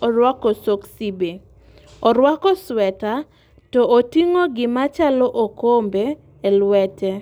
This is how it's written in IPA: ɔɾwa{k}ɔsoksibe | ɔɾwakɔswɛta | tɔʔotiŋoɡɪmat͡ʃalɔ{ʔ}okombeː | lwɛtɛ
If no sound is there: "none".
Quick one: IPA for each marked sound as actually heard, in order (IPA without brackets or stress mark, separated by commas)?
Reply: k, ʔ